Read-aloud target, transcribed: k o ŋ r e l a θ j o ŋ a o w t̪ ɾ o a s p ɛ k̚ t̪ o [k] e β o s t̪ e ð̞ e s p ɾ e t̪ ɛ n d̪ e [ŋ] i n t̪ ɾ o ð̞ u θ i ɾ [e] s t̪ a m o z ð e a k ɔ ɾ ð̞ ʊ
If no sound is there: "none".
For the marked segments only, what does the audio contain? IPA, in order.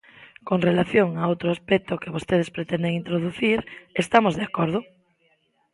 k, ŋ, e

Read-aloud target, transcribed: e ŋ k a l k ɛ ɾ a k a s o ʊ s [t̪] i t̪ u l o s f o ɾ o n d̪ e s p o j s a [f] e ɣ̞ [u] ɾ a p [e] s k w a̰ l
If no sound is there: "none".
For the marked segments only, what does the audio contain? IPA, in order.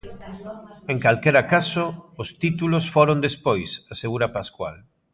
t̪, s, u, a

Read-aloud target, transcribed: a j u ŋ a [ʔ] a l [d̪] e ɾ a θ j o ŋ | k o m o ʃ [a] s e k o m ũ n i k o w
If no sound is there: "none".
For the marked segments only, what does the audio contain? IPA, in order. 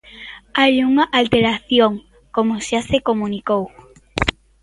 ʔ, t̪, a

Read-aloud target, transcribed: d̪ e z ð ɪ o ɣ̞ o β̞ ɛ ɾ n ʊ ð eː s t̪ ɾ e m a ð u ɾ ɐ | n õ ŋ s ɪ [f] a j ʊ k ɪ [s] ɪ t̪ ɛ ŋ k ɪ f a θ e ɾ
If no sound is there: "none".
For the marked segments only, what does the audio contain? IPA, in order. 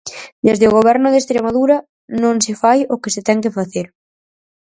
f, s

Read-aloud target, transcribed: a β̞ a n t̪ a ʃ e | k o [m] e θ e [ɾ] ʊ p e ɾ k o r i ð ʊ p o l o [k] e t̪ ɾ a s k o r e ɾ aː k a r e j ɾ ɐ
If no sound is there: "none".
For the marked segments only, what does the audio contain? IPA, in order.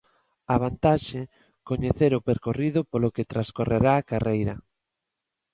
ɲ, ɾ, k

